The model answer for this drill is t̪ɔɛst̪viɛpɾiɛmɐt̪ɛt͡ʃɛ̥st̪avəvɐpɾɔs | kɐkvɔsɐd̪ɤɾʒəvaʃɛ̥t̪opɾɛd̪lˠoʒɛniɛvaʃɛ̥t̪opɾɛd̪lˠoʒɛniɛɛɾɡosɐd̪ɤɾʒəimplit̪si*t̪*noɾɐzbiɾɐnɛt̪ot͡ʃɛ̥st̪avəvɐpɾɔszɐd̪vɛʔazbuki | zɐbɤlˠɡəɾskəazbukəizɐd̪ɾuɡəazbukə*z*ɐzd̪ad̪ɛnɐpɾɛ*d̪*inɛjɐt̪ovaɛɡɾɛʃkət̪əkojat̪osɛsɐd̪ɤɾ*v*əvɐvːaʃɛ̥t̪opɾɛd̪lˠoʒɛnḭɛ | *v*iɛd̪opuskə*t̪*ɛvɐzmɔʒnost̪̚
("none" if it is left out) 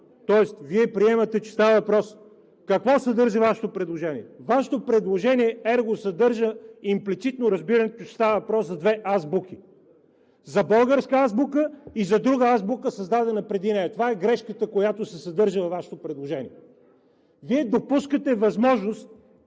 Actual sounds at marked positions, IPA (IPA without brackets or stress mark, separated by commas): t̪, s, d̪, ʒ, v, t̪